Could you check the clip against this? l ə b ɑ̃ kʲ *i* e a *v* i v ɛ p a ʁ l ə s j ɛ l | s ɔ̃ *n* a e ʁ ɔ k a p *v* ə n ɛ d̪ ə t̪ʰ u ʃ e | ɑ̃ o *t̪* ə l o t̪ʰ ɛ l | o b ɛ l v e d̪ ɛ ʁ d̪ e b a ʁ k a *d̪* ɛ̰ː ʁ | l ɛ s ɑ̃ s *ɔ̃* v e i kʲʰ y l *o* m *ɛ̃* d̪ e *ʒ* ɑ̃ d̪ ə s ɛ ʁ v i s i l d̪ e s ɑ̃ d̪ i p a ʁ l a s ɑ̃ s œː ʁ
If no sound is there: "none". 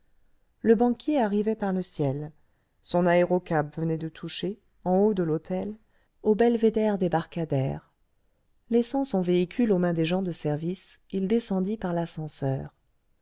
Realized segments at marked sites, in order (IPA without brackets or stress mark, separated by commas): j, ʁ, n, v, d̪, d̪, ɔ̃, o, ɛ̃, ʒ